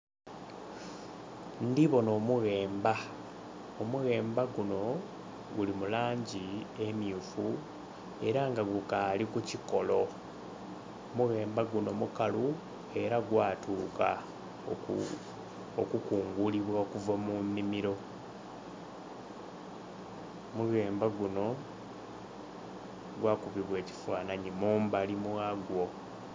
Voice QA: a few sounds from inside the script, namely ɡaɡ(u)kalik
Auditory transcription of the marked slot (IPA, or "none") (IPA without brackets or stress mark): u